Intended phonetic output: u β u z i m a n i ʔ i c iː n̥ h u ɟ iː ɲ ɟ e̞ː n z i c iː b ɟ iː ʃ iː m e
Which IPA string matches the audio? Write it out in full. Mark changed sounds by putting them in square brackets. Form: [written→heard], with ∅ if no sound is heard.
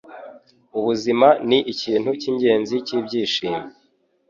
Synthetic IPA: u β u z i m a n i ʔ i c iː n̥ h u [ɟ→c] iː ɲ ɟ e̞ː n z i c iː b ɟ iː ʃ iː m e